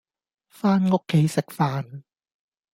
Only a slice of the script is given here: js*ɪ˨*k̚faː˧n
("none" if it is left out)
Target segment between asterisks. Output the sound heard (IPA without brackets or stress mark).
ɪ˨